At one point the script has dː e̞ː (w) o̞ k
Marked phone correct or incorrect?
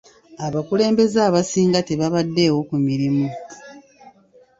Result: correct